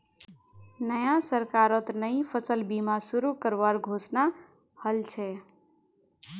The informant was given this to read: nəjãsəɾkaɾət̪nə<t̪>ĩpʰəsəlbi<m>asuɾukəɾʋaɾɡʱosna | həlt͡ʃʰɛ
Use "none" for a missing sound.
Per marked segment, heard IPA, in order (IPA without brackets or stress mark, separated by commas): none, m